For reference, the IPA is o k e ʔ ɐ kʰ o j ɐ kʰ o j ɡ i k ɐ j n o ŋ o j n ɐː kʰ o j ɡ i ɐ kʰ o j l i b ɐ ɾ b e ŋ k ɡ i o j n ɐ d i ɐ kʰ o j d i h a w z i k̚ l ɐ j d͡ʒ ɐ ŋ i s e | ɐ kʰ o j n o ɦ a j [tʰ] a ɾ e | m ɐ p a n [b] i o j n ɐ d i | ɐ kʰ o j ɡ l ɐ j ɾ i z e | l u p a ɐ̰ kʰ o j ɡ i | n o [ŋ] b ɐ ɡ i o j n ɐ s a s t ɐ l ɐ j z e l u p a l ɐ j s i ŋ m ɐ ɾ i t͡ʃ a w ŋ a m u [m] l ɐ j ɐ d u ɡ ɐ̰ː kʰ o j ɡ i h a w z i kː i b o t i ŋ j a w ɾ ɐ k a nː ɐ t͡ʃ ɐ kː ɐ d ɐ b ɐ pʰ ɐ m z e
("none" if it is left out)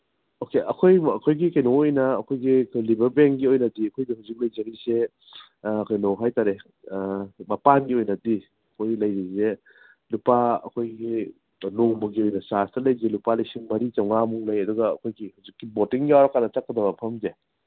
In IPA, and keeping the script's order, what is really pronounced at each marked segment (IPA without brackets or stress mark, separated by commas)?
t, ɡ, ŋ, ŋ